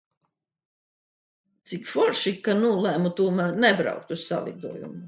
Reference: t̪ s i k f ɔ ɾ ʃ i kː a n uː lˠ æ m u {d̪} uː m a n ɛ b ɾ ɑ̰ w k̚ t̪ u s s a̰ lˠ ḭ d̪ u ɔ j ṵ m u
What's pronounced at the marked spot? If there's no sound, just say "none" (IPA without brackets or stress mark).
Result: t̪